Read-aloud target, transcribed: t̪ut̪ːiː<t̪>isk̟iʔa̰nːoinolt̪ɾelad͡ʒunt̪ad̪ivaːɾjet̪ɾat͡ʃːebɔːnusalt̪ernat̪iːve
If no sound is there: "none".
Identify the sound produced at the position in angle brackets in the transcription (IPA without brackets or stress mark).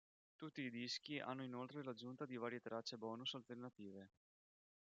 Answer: d̪